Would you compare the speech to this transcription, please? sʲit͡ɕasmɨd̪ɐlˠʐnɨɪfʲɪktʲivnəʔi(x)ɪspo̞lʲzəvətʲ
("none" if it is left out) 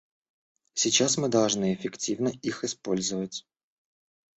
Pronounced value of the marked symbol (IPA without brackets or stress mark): x